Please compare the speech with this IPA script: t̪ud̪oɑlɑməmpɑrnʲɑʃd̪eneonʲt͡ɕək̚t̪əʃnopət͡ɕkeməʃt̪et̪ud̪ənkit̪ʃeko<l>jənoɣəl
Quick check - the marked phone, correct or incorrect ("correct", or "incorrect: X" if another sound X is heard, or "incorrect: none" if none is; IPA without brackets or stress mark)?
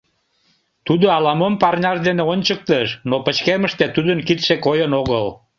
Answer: incorrect: none